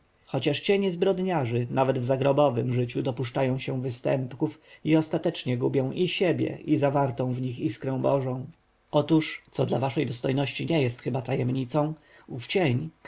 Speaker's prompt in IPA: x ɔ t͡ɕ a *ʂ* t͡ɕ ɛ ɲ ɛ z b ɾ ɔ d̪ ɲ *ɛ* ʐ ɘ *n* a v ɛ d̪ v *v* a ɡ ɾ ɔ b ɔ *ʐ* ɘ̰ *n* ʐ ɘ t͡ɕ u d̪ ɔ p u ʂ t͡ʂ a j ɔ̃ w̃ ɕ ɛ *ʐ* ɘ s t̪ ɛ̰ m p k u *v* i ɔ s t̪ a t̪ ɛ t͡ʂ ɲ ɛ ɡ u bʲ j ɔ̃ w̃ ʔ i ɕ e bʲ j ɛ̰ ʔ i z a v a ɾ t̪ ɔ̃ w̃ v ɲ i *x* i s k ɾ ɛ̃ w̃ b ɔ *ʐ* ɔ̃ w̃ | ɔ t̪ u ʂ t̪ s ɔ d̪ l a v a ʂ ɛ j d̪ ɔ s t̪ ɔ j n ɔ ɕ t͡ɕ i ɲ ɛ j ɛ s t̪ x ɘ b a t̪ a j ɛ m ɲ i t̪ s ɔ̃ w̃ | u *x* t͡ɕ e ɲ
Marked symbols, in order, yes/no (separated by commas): yes, no, yes, no, no, no, no, no, yes, yes, no